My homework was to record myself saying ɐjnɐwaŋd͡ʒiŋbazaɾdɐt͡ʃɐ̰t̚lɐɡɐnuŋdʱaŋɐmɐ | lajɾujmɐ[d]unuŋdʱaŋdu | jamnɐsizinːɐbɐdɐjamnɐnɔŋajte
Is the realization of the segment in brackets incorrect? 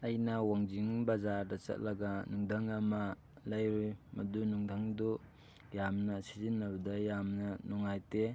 no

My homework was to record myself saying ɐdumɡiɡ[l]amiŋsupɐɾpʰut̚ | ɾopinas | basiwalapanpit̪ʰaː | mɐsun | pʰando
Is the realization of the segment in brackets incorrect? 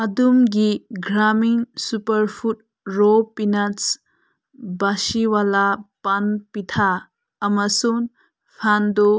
yes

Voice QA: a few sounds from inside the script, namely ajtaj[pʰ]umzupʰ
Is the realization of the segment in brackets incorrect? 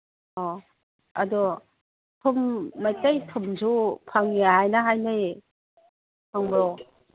yes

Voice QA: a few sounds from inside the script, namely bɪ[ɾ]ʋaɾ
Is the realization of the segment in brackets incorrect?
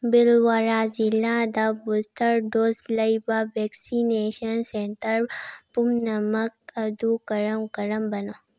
yes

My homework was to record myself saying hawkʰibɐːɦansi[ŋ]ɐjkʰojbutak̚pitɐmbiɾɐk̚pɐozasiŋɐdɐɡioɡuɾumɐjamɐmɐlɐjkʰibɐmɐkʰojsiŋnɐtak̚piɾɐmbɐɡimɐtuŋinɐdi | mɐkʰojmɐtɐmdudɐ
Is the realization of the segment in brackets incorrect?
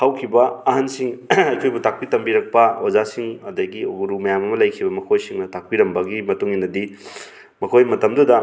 no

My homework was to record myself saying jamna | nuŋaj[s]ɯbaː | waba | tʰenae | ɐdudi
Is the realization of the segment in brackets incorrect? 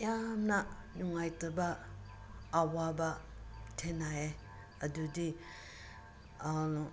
yes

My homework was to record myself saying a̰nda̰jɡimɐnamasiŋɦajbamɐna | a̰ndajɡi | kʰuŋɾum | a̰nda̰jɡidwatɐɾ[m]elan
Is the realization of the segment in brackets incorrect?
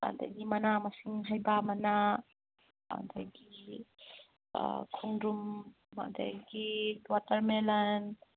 no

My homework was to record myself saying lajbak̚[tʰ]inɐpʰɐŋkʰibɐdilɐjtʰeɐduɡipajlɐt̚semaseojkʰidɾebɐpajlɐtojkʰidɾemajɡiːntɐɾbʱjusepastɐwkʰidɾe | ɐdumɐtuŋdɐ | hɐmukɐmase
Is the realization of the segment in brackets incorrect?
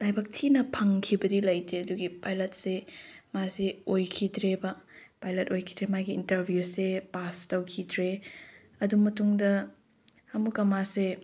no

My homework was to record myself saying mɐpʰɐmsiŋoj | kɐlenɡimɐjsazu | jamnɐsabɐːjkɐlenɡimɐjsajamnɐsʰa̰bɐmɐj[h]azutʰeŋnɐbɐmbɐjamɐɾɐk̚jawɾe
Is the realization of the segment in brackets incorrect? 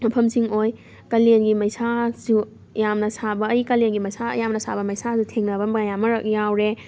yes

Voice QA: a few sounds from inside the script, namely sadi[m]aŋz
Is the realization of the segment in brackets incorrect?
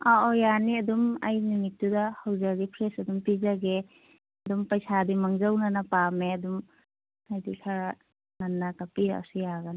no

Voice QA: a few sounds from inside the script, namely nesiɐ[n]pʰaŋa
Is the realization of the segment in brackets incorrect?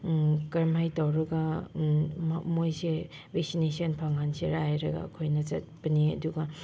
no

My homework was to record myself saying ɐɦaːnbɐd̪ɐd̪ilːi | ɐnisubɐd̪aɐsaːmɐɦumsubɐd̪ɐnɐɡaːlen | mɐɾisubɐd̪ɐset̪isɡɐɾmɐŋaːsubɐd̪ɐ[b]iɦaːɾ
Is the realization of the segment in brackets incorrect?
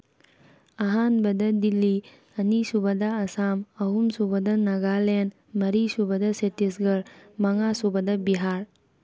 no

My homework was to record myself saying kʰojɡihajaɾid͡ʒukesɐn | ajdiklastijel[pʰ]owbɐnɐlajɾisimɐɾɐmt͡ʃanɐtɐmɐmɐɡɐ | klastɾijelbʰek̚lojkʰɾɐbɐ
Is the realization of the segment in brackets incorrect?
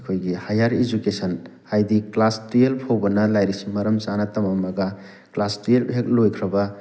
no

